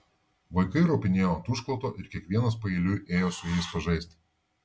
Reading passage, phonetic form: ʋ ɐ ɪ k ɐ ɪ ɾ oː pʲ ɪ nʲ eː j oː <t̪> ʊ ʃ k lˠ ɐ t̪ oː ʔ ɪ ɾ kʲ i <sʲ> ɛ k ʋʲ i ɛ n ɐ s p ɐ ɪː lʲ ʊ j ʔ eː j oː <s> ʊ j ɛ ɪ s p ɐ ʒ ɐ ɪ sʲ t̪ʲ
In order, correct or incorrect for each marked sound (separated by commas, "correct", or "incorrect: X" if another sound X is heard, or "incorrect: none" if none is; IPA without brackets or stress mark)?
correct, incorrect: none, correct